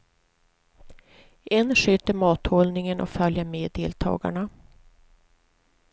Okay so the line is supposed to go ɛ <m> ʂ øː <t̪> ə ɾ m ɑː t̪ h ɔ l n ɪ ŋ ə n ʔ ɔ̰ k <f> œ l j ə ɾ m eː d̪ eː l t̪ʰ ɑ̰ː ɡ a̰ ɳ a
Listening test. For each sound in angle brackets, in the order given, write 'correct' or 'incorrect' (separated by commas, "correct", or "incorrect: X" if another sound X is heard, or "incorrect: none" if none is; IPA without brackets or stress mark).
incorrect: n, correct, correct